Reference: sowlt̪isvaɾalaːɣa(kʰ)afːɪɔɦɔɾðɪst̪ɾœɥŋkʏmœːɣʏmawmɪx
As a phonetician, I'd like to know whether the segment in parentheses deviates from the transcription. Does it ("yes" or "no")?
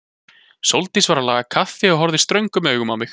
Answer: no